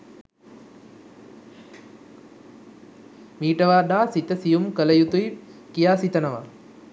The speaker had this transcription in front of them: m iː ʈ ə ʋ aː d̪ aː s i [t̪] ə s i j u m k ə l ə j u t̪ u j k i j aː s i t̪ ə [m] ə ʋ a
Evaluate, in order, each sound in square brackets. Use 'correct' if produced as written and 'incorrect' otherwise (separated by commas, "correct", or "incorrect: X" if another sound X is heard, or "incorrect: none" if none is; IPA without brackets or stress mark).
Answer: correct, incorrect: n